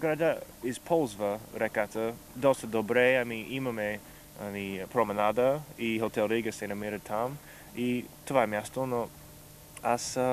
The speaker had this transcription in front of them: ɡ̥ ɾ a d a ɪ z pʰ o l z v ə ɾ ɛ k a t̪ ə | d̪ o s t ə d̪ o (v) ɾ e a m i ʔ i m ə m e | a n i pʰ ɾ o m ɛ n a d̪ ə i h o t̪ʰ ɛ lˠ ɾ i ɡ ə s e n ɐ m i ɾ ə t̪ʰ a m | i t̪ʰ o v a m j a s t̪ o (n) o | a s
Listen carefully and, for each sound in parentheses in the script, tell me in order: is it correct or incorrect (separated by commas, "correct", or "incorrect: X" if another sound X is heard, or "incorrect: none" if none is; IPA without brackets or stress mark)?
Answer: incorrect: b, correct